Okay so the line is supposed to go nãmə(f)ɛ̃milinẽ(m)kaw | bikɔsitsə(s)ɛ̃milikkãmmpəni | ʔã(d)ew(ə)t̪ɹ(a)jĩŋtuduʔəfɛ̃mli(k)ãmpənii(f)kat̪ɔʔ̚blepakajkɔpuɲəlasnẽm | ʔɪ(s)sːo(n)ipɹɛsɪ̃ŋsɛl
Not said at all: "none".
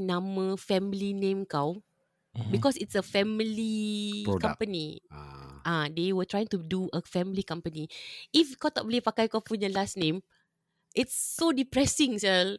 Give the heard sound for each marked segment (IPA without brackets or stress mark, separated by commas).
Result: f, m, f, d, ə, a, k, f, t, d